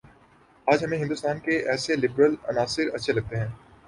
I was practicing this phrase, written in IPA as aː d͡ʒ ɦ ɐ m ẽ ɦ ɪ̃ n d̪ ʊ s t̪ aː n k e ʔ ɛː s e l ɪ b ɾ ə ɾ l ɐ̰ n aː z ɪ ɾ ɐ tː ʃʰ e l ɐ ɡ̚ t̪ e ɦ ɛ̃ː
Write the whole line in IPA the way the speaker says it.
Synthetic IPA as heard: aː d͡ʒ ɦ ɐ m ẽ ɦ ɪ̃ n d̪ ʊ s t̪ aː n k e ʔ ɛː s e l ɪ b ɾ ə l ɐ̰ n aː s ɪ ɾ ɐ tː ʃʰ e l ɐ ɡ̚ t̪ e ɦ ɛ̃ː